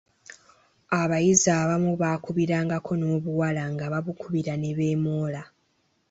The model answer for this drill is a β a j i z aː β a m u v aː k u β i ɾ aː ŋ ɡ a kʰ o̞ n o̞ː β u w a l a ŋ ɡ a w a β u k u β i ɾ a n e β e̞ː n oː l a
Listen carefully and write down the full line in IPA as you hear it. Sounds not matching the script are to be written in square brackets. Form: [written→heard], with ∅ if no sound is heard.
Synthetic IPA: a β a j i z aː β a m u [v→β] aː k u β i ɾ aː ŋ ɡ a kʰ o̞ n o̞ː β u w a l a ŋ ɡ a [w→β] a β u k u β i ɾ a n e β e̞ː [n→m] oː l a